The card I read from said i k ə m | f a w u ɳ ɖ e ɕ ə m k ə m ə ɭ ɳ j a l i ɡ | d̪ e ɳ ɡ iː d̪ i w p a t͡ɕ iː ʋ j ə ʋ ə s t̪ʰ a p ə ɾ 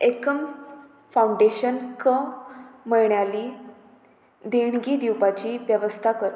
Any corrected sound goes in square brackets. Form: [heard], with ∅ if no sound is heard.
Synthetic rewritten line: [e] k ə m | f a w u ɳ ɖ e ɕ ə [n] k ə m ə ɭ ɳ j a l i [∅] | d̪ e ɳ ɡ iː d̪ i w p a t͡ɕ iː ʋ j ə ʋ ə s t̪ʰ a [k] ə ɾ

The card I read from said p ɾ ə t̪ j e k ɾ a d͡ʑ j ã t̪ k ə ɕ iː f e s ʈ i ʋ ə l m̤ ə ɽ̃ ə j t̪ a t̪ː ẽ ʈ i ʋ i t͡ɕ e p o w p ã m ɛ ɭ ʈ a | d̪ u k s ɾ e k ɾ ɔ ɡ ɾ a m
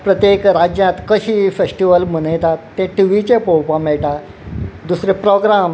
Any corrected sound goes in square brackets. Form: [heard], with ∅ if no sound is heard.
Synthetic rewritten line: p ɾ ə t̪ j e k ɾ a d͡ʑ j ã t̪ k ə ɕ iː f e s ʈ i ʋ ə l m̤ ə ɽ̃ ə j t̪ a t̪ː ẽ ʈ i ʋ i t͡ɕ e p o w p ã m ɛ ɭ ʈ a | d̪ u [∅] s ɾ e [p] ɾ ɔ ɡ ɾ a m

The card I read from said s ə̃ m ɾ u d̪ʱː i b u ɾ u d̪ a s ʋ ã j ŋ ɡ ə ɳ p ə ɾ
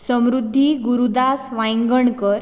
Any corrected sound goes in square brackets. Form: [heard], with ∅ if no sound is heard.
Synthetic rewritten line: s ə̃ m ɾ u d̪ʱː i [ɡ] u ɾ u d̪ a s ʋ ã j ŋ ɡ ə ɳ [k] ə ɾ

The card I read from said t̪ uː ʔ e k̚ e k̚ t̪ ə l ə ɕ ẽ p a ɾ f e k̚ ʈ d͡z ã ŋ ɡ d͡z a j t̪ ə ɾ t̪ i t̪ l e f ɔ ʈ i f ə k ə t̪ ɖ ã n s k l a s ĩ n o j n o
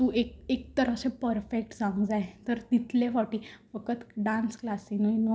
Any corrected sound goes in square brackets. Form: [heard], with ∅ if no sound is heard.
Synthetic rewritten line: t̪ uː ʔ e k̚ e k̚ t̪ ə [ɾ] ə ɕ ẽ p [ə] ɾ f e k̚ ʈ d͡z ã ŋ ɡ d͡z a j t̪ ə ɾ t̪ i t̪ l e f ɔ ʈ i f ə k ə t̪ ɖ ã n s k l a s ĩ n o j n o

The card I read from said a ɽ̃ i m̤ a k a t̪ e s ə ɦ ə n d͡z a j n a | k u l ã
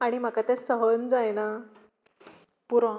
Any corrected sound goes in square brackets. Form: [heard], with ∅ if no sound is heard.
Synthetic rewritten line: a ɽ̃ i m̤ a k a t̪ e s ə ɦ ə n d͡z a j n a | [p] u [ɾ] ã

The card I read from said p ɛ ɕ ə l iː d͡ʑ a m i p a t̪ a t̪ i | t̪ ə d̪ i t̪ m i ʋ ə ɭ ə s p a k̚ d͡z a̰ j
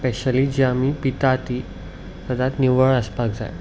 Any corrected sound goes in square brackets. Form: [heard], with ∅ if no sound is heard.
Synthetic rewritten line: p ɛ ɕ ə l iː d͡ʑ a m i p [i] t̪ a t̪ i | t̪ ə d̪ [a] t̪ [n] i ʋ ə ɭ ə s p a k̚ d͡z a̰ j

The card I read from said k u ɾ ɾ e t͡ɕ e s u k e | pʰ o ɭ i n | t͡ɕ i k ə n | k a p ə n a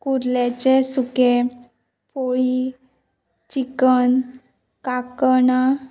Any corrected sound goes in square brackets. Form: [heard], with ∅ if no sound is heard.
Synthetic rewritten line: k u ɾ [l] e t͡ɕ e s u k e | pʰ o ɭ i [∅] | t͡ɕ i k ə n | k a [k] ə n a

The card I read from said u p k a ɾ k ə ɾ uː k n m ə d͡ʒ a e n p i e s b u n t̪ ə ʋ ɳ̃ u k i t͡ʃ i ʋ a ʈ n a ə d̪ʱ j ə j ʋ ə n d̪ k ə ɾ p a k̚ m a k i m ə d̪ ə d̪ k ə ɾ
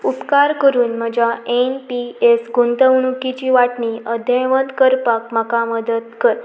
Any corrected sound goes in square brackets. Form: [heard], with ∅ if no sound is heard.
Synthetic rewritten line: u p k a ɾ k ə ɾ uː [∅] n m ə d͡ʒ a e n p i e s [ɡ] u n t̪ ə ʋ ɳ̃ u k i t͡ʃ i ʋ a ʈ n [i] ə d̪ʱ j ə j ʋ ə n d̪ k ə ɾ p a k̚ m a k [a] m ə d̪ ə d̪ k ə ɾ

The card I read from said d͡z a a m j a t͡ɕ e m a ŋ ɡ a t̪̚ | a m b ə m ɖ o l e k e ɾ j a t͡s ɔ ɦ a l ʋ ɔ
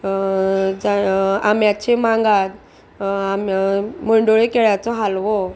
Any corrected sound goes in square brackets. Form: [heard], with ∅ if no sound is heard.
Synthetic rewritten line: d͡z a a m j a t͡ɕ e m a ŋ ɡ a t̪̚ | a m [m] ə [ɳ] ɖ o [ɭ] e k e [ɭ] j a t͡s ɔ ɦ a l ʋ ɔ

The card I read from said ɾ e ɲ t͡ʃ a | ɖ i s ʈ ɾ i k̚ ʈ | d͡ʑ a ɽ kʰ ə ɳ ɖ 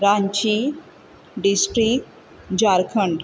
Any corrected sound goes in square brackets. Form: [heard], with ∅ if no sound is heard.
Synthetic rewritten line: ɾ [a] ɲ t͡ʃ [i] | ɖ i s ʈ ɾ i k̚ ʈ | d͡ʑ a [ɾ] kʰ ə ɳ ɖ

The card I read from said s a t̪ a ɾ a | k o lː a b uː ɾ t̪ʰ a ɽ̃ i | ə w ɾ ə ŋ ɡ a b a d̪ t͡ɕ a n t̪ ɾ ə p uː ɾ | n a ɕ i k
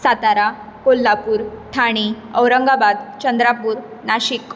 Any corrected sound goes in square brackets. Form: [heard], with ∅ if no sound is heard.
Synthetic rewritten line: s a t̪ a ɾ a | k o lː a [p] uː ɾ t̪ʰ a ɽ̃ i | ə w ɾ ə ŋ ɡ a b a d̪ t͡ɕ [ə] n [d̪] ɾ [a] p uː ɾ | n a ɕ i k

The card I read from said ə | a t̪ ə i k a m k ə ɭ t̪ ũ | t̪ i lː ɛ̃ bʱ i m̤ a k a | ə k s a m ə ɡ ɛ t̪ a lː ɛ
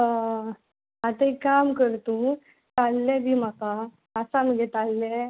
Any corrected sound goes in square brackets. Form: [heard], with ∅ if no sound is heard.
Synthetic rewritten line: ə | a t̪ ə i k a m k ə [ɾ] t̪ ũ | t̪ [a] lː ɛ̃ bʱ i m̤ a k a | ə [∅] s a m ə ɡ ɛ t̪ a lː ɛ

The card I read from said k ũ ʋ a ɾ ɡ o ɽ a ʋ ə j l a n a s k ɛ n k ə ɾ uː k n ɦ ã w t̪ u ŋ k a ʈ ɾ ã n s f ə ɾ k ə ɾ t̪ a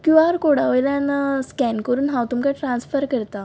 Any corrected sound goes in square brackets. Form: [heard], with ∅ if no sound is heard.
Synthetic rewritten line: k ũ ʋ a ɾ [k] o ɽ a ʋ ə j l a n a s k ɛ n k ə ɾ uː [∅] n ɦ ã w t̪ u [m] k a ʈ ɾ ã n s f ə ɾ k ə ɾ t̪ a

